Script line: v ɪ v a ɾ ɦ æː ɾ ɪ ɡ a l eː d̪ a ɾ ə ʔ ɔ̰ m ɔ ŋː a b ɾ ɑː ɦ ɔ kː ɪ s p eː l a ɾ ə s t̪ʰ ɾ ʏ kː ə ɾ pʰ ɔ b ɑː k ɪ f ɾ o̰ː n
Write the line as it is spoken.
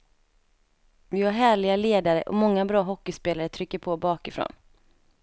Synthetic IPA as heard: v ɪ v a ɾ ɦ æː ɭ ɪ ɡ a l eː d̪ a ɾ ə ʔ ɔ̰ m ɔ ŋː a b ɾ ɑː ɦ ɔ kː ɪ s p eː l a ɾ ə t̪ʰ ɾ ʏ kː ə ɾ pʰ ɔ b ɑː k ɪ f ɾ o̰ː n